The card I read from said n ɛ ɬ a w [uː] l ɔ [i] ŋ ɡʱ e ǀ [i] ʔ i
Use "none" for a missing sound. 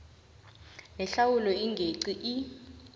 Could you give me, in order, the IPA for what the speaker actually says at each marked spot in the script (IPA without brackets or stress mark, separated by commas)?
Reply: u, i, i